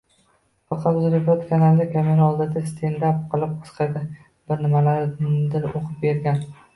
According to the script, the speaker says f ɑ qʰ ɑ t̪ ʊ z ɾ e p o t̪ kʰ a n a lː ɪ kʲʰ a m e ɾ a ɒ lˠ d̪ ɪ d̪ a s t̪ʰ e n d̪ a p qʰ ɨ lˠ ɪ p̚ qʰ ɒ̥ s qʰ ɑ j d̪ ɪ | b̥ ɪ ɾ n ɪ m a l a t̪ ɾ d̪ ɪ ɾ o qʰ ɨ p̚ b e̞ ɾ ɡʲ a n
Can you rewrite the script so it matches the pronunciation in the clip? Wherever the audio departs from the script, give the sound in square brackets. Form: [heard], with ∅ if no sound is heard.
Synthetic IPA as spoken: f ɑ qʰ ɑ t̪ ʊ z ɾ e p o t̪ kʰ a n a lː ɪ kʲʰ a m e ɾ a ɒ lˠ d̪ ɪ d̪ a s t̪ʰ e n d̪ a p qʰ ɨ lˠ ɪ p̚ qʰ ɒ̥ s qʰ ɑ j d̪ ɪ | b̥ ɪ ɾ n ɪ m a l a [∅] ɾ d̪ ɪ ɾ o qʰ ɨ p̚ b e̞ ɾ ɡʲ a n